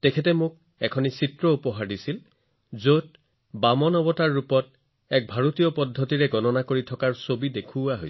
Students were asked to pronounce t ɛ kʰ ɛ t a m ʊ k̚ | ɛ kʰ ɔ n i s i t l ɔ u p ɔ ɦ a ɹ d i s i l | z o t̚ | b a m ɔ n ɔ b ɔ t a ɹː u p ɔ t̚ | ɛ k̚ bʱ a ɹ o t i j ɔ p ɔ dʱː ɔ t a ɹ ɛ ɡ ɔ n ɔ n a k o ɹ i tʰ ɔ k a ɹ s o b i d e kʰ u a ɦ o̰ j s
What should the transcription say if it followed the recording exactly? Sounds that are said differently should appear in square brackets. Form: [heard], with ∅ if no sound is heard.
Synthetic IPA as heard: t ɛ kʰ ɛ t [ɛ] m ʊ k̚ | ɛ kʰ ɔ n i s i t [ɹ] ɔ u p ɔ ɦ a ɹ d i s i l | z o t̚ | b a m ɔ n ɔ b ɔ t a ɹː u p ɔ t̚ | ɛ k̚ bʱ a ɹ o t i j ɔ p ɔ dʱː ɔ t [i] ɹ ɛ ɡ ɔ n ɔ n a k o ɹ i tʰ ɔ k a ɹ s o b i d e kʰ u a ɦ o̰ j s